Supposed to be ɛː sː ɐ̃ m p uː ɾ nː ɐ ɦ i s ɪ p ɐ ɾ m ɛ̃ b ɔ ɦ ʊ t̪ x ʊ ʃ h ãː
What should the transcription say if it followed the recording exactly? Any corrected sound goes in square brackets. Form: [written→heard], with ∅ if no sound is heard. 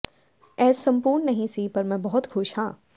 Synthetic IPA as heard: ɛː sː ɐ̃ m p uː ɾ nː ɐ ɦ [i→ĩ] s [ɪ→i] p ɐ ɾ m ɛ̃ b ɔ ɦ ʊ t̪ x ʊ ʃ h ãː